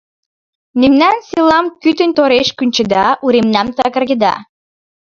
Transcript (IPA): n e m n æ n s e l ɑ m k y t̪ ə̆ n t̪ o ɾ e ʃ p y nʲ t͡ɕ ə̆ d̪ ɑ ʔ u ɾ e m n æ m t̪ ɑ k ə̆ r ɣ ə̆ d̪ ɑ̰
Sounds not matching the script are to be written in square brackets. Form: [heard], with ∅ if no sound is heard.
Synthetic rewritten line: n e m n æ n s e l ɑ m k y t̪ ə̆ n t̪ o ɾ e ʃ [k] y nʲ t͡ɕ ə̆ d̪ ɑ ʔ u ɾ e m n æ m t̪ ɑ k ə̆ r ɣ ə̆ d̪ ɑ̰